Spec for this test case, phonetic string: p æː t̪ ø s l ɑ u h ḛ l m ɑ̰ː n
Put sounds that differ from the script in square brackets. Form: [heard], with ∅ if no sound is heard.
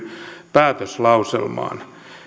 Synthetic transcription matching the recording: p æː t̪ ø s l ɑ u [s] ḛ l m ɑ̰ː n